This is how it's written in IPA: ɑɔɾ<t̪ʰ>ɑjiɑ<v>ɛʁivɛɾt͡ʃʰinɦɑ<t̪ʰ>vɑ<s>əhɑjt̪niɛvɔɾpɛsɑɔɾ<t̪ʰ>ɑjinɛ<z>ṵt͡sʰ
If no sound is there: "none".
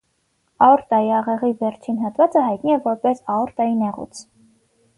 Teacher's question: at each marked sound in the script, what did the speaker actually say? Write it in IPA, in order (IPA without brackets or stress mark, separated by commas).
t̪, ʁ, t̪, t͡s, t̪, ʁ